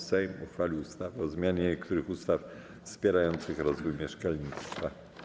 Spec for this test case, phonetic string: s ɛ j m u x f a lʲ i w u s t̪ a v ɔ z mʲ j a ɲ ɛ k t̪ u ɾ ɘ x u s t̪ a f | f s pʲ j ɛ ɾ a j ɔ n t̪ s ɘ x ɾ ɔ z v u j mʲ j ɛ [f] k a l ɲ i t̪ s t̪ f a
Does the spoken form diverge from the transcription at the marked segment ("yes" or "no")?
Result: yes